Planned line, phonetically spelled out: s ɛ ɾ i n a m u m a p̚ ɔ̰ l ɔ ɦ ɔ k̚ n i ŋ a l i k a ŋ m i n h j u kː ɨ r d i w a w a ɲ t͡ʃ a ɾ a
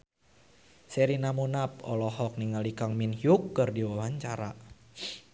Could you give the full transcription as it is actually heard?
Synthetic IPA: s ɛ ɾ i n a m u n a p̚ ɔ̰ l ɔ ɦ ɔ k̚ n i ŋ a l i k a ŋ m i n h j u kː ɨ r d i w a w a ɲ t͡ʃ a ɾ a